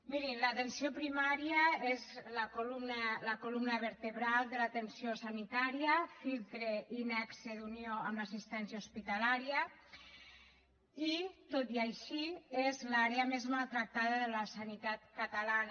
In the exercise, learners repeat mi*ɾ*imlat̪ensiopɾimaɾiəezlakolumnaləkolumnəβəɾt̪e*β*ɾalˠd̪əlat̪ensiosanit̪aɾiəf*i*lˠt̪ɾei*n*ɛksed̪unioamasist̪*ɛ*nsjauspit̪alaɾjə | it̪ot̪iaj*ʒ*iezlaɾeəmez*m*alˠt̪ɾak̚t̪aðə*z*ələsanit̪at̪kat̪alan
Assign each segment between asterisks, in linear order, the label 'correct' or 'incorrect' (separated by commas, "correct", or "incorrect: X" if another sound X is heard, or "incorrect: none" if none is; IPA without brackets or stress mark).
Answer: correct, correct, correct, correct, correct, incorrect: ʃ, correct, incorrect: ð